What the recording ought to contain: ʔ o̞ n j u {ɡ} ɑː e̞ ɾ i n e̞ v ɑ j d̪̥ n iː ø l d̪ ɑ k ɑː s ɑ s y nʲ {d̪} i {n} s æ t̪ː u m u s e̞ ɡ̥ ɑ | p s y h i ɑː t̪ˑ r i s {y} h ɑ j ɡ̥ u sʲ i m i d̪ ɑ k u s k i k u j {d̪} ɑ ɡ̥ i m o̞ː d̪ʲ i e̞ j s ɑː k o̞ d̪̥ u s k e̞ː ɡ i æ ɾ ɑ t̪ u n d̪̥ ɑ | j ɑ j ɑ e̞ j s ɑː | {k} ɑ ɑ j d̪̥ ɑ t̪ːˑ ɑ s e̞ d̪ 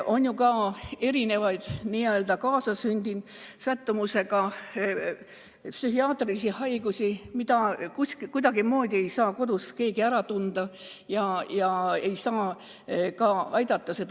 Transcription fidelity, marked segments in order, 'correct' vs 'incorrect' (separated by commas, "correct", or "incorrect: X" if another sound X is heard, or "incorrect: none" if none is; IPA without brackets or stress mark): incorrect: k, correct, correct, incorrect: i, correct, correct